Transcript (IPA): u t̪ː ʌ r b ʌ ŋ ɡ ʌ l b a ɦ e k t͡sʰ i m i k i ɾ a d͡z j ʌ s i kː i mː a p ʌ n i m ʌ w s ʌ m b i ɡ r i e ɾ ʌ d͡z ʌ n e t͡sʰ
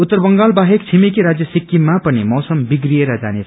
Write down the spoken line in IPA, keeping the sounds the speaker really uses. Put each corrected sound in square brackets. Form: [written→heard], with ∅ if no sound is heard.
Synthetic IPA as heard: u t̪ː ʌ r b ʌ ŋ ɡ [ʌ→a] l b a ɦ e k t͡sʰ i m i k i ɾ a d͡z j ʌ s i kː i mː a p ʌ n i m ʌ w s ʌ m b i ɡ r i e ɾ ʌ d͡z [ʌ→a] n e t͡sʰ